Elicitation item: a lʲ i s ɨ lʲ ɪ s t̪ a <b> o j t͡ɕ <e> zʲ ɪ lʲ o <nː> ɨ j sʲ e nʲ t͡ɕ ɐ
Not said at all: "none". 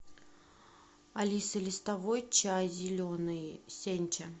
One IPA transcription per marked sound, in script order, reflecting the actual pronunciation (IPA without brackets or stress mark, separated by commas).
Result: v, a, n